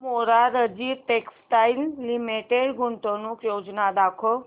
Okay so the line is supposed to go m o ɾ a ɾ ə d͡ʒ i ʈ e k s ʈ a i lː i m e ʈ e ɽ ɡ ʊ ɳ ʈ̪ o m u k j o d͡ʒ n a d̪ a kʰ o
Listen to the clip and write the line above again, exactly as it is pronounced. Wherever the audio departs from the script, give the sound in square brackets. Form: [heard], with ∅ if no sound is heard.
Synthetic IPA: m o ɾ a ɾ ə d͡ʒ i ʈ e k s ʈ a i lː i m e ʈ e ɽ ɡ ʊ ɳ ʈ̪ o [n] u k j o d͡ʒ n a d̪ a kʰ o